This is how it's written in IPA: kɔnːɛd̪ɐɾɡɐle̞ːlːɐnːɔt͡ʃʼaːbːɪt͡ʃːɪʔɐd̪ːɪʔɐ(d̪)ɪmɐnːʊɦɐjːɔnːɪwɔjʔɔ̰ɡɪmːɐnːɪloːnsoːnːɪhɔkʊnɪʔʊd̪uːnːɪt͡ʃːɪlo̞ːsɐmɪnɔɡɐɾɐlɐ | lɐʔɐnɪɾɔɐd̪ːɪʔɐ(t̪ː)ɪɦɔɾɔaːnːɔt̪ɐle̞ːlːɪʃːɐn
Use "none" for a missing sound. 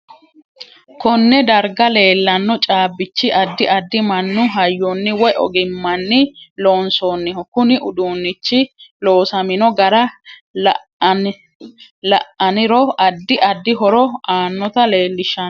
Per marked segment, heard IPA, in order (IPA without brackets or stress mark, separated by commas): d̪ː, d̪ː